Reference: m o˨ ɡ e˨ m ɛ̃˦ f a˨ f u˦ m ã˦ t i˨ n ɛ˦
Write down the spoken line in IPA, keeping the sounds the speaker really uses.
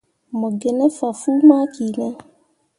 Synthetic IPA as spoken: m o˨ ɡ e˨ n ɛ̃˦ f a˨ f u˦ m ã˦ k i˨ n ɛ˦